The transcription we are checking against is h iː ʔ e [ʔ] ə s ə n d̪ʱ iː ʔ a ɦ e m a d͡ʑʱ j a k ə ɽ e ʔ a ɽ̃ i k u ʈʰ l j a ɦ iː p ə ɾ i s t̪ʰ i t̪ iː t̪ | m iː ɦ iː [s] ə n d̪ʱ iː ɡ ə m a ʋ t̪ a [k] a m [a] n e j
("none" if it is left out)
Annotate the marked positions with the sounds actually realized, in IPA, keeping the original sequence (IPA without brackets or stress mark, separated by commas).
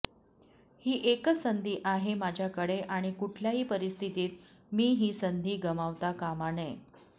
k, s, k, a